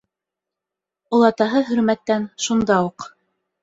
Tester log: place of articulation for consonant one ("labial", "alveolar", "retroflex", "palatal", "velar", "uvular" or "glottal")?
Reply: alveolar